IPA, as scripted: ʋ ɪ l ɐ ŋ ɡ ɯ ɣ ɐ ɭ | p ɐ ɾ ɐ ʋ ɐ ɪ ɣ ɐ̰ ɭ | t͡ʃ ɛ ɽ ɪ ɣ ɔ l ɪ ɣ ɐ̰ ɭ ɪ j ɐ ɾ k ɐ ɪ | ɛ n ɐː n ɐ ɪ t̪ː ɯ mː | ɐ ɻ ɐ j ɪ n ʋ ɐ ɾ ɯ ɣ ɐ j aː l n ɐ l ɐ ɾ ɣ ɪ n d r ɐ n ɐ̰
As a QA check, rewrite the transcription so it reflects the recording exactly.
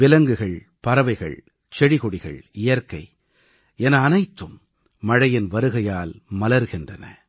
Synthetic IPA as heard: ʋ ɪ l ɐ ŋ ɡ ɯ ɣ ɐ ɭ | p ɐ ɾ ɐ ʋ ɐ ɪ ɣ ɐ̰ ɭ | t͡ʃ ɛ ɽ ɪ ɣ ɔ ɽ ɪ ɣ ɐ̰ ɭ ɪ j ɐ ɾ k ɐ ɪ | ɛ n ɐː n ɐ ɪ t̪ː ɯ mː | ɐ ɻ ɐ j ɪ n ʋ ɐ ɾ ɯ ɣ ɐ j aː l m ɐ l ɐ ɾ ɣ ɪ n d r ɐ n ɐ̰